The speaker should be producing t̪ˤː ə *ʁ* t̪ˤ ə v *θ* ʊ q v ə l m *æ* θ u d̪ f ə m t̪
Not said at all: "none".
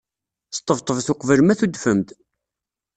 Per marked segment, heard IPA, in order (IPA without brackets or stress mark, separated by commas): v, θ, æ